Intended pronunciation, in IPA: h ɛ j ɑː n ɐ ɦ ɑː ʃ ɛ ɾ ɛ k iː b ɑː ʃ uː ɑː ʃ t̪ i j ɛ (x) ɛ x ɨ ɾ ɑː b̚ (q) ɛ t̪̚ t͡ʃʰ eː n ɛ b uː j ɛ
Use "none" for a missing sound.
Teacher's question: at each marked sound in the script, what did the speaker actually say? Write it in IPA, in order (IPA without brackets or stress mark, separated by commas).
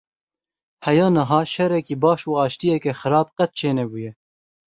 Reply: k, q